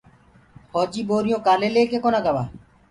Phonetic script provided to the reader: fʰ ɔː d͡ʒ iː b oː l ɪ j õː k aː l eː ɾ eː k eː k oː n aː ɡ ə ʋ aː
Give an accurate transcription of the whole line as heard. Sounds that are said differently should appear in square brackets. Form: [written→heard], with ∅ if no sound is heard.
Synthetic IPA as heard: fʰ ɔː d͡ʒ iː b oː [l→ɾ] ɪ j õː k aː l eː [ɾ→l] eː k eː k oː n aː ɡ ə ʋ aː